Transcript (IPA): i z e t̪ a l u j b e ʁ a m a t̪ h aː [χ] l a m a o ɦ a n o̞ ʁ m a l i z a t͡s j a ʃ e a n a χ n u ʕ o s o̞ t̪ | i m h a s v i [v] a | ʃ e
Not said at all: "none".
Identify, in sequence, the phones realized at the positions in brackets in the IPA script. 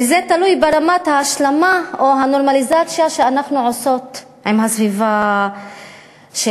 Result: ʃ, v

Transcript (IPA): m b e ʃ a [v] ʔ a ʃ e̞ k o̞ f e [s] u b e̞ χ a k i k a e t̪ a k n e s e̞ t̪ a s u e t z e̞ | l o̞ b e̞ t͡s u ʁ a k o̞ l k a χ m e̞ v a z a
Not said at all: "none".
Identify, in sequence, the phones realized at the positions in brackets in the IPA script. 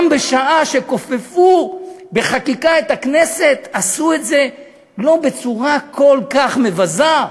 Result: none, f

